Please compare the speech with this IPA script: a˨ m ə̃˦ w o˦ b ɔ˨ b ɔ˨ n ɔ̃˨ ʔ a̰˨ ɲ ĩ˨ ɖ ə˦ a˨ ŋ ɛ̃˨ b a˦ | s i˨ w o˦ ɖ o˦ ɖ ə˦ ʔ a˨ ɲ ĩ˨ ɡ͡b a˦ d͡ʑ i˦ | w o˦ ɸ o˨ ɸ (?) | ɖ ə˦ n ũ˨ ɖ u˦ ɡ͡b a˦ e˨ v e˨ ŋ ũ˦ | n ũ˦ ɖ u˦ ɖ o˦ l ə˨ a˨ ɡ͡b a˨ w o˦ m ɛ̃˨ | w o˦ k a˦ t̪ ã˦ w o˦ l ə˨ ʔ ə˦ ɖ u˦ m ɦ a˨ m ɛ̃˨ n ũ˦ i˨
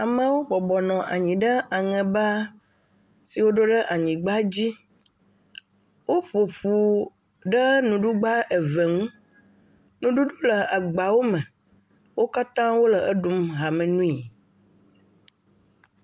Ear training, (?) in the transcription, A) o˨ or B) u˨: B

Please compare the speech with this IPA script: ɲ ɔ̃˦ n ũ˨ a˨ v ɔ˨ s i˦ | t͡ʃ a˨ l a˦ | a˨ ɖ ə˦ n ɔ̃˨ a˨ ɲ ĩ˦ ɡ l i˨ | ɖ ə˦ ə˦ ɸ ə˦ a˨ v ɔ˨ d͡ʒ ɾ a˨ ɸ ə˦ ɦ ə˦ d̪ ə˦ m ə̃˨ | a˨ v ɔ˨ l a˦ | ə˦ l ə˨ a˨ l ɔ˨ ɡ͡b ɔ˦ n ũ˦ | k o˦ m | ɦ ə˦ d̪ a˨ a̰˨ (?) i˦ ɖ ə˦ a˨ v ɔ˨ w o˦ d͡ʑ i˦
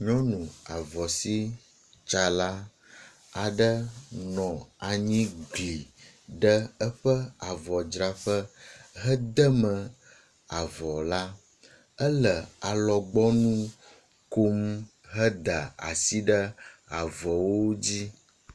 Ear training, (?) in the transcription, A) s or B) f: A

